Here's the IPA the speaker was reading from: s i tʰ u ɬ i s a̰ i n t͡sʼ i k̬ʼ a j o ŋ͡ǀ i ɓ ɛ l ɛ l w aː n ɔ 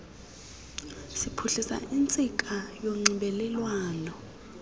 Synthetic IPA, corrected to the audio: s i pʰ u ɬ i s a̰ i n t͡sʼ i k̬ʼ a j o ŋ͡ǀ i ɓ ɛ l ɛ l w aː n ɔ